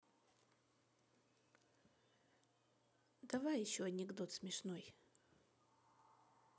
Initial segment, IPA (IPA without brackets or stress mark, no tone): d̪